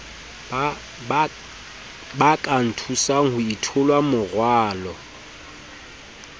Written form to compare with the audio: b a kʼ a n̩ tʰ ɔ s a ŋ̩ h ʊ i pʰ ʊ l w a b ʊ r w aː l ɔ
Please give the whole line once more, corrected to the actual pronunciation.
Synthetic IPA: b a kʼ a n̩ tʰ u s a ŋ̩ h ʊ i tʰ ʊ l w a m ʊ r w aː l ɔ